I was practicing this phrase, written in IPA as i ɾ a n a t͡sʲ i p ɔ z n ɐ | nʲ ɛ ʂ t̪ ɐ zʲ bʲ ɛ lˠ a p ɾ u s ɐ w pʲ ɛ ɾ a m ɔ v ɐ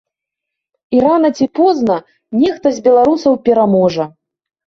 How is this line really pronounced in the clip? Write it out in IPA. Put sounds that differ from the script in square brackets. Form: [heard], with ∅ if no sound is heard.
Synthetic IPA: i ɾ a n [ɐ] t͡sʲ i p ɔ z n ɐ | nʲ ɛ [x] t̪ ɐ zʲ bʲ ɛ lˠ a [∅] ɾ u s ɐ w pʲ ɛ ɾ a m ɔ [ʐ] ɐ